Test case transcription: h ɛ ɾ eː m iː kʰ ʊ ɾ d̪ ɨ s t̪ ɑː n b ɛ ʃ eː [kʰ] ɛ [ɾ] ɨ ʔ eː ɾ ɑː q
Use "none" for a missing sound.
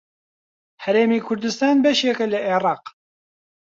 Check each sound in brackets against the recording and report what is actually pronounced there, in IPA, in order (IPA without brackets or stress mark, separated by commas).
k, l